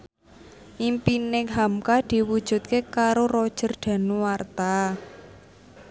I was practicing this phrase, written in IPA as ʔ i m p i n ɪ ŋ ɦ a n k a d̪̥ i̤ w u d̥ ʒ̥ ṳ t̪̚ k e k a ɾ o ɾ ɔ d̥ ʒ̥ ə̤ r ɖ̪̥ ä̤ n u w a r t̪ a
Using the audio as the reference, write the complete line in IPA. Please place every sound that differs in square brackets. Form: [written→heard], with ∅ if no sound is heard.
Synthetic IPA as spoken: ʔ i m p i n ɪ ŋ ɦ a [n→m] k a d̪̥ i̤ w u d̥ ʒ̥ ṳ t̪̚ k e k a ɾ o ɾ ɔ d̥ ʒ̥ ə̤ r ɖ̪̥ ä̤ n u w a r t̪ a